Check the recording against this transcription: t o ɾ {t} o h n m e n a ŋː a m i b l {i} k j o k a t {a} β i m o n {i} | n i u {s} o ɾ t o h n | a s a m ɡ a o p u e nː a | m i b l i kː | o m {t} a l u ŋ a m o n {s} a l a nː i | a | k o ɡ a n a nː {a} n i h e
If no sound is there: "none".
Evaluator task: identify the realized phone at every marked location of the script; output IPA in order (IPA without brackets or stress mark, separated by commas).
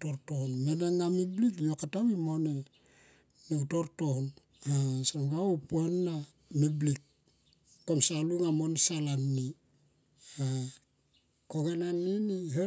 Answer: t, i, a, e, t, s, s, i